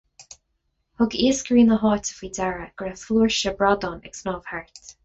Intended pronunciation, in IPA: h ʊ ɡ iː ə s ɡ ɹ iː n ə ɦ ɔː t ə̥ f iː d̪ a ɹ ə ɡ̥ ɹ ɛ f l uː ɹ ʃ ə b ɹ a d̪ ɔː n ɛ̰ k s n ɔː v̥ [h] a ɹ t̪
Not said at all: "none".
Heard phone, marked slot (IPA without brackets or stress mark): h